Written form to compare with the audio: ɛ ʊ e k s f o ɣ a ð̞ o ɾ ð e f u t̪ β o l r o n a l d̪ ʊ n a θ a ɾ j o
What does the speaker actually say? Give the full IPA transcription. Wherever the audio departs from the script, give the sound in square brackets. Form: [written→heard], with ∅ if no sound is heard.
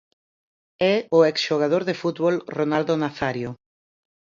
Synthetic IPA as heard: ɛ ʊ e k s [f→ʃ] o ɣ a ð̞ o ɾ ð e f u t̪ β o l r o n a l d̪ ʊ n a θ a ɾ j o